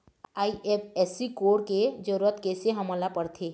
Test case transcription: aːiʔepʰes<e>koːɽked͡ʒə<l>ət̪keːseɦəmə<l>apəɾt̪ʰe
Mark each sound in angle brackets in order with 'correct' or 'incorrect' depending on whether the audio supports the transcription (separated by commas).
incorrect, incorrect, correct